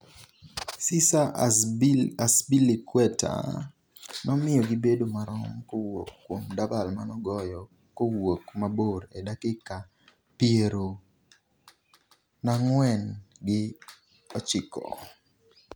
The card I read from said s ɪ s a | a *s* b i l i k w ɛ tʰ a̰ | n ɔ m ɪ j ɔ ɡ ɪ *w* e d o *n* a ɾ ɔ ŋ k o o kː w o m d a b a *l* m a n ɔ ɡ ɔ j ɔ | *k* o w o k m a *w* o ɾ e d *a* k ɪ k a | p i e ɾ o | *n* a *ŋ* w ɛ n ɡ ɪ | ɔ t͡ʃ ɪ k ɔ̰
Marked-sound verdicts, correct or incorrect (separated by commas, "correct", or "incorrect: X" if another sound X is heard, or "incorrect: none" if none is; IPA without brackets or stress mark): correct, incorrect: b, incorrect: m, correct, correct, incorrect: b, correct, correct, correct